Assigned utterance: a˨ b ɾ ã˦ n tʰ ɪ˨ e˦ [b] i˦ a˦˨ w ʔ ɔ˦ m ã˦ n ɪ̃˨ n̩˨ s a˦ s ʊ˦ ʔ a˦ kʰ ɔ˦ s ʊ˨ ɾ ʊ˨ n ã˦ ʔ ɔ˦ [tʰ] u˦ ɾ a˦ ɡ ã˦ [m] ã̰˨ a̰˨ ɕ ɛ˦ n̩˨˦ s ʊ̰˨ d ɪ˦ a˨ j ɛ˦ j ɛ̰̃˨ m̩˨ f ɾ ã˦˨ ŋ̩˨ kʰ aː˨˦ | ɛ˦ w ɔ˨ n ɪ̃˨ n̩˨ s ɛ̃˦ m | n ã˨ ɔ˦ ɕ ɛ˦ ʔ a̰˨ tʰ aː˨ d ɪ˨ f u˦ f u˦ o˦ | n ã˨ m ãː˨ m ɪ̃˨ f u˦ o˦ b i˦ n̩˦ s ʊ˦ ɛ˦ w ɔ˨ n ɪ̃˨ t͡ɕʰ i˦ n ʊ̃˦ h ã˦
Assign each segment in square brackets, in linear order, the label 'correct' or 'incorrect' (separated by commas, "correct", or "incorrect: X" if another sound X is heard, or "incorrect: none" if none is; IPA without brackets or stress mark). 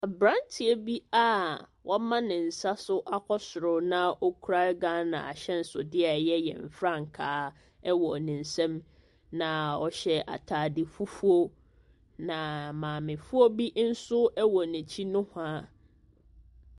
correct, incorrect: kʰ, incorrect: n